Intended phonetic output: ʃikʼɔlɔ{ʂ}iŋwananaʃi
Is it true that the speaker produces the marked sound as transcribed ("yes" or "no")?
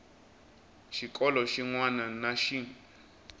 no